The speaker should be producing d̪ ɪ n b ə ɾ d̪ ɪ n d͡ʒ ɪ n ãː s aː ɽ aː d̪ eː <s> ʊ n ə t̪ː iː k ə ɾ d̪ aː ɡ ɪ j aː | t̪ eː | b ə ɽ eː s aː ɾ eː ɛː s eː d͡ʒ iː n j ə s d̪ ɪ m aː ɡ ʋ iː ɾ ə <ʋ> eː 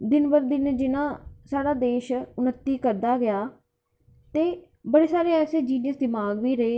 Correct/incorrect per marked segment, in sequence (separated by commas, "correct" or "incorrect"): incorrect, incorrect